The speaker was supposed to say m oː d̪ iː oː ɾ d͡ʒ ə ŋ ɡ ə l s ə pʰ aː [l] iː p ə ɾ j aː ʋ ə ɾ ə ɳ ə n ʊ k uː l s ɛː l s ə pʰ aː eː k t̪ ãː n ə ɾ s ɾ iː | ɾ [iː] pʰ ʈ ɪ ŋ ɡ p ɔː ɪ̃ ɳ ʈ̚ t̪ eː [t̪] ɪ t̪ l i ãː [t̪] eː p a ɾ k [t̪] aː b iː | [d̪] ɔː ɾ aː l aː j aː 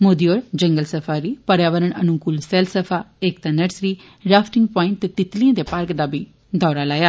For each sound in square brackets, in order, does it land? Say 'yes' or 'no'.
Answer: no, no, yes, no, no, yes

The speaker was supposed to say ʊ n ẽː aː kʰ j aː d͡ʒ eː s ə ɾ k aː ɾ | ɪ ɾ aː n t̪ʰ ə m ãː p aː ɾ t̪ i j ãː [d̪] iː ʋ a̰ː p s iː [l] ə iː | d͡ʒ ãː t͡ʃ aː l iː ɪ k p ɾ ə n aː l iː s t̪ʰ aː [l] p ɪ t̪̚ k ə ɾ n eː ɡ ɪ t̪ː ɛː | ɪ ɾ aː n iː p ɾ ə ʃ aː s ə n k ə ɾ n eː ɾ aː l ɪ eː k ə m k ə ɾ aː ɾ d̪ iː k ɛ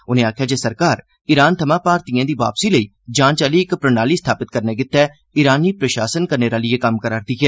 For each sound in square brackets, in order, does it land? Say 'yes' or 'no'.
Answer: yes, yes, no

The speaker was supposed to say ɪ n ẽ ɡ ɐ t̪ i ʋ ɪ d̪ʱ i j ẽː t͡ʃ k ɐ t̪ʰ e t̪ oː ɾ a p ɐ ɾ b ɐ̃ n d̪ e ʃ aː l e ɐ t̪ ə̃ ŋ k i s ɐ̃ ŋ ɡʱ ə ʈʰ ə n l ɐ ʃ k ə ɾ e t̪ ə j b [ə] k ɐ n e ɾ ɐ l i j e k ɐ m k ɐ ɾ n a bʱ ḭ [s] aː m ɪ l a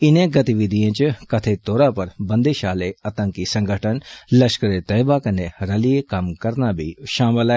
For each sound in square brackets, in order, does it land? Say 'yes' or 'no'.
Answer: no, no

